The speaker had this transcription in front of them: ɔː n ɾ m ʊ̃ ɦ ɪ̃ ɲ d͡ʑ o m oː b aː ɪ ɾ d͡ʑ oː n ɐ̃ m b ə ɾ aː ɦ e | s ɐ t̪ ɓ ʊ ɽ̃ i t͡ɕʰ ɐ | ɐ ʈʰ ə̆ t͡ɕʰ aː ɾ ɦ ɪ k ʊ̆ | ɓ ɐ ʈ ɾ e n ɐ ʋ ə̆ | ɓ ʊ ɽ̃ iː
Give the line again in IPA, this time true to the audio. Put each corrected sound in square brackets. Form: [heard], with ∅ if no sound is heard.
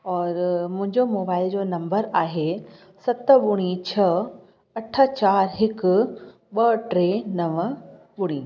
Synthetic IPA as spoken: ɔː [∅] ɾ m ʊ̃ ɦ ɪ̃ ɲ d͡ʑ o m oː b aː ɪ [l] d͡ʑ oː n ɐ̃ m b ə ɾ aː ɦ e | s ɐ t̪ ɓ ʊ ɽ̃ i t͡ɕʰ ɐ | ɐ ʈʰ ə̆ [t͡ɕ] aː ɾ ɦ ɪ k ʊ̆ | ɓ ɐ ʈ ɾ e n ɐ ʋ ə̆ | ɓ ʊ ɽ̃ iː